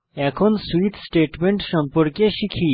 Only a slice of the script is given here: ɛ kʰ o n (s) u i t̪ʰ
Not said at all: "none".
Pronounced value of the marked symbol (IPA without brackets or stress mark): s